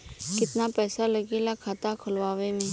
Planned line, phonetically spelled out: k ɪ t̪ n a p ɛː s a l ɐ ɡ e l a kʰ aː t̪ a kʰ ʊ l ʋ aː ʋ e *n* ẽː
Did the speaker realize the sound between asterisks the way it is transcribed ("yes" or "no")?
no